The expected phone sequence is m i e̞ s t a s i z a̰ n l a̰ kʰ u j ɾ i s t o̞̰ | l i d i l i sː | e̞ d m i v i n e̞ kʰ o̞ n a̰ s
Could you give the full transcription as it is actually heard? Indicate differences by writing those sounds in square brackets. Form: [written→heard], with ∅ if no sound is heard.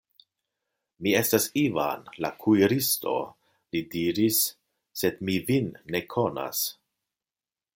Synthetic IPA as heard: m i e̞ s t a s i [z→v] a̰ n l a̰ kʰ u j ɾ i s t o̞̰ | l i d i [l→ɾ] i sː | e̞ d m i v i [n→nː] e̞ kʰ o̞ n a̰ s